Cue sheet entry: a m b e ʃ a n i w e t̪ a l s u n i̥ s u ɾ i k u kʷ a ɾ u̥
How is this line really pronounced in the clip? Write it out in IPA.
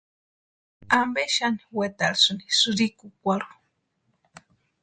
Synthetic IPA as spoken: a m b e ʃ a n i w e t̪ a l s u n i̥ s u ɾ i k u kʷ a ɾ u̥